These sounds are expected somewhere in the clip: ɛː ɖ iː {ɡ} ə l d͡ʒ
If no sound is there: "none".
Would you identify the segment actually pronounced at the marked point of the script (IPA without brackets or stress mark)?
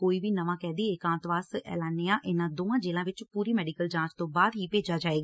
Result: k